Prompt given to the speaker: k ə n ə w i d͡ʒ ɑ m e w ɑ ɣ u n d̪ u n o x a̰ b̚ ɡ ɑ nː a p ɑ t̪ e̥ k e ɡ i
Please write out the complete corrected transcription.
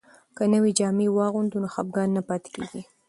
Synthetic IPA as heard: k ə n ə w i d͡ʒ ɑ m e w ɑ ɣ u n d̪ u n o x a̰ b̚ ɡ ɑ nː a p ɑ t̪ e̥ k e ɡ i